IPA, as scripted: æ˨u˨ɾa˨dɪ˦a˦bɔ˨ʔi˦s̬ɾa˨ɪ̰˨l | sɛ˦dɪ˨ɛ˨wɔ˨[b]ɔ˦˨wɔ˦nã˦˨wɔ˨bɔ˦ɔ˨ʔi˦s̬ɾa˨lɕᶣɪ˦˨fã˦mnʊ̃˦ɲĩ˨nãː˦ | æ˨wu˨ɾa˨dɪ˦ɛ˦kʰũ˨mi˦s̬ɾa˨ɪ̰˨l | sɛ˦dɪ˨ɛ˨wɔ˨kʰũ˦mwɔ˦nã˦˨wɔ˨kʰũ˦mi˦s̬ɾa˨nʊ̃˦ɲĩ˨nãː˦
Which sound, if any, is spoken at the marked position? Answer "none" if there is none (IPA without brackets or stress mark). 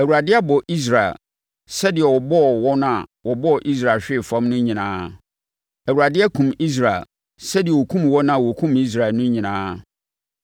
b